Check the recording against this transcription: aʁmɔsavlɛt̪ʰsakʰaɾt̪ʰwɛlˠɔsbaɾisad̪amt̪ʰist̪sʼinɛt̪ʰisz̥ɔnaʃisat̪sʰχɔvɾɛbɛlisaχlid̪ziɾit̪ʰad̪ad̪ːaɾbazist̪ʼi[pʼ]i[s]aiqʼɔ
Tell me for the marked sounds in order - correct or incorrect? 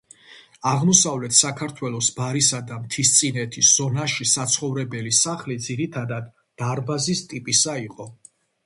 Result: correct, correct

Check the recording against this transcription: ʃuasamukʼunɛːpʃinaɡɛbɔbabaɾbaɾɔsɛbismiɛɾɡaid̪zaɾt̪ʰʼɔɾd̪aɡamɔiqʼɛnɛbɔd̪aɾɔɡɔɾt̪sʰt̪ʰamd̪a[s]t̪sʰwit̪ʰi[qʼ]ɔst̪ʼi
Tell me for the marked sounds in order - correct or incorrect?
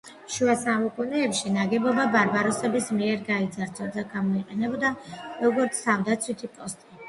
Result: incorrect, incorrect

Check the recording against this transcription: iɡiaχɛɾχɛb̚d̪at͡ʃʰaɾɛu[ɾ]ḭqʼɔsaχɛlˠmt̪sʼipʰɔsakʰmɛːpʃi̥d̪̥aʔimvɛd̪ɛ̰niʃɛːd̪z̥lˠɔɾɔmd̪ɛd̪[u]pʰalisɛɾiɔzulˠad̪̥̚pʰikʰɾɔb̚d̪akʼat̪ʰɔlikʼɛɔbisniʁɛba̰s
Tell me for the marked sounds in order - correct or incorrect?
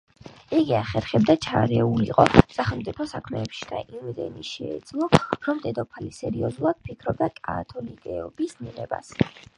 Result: incorrect, incorrect

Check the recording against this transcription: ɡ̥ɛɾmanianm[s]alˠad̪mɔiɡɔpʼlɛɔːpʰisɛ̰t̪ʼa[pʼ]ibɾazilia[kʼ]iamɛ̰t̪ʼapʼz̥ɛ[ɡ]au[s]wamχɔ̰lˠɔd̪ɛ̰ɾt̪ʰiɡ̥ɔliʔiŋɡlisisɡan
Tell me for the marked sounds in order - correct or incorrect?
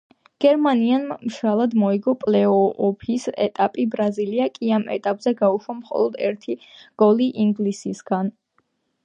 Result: incorrect, correct, correct, correct, incorrect

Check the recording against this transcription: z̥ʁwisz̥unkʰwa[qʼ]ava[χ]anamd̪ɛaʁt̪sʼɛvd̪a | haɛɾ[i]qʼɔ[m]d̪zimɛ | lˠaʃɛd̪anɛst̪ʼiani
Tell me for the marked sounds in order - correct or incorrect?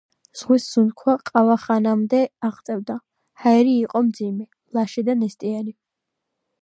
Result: correct, correct, incorrect, correct

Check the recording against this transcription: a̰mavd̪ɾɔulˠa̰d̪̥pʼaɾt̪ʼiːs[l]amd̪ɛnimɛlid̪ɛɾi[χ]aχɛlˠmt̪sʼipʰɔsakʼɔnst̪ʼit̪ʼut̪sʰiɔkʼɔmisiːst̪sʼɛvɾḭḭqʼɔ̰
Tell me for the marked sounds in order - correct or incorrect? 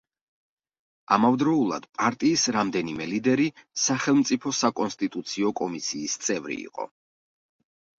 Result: incorrect, incorrect

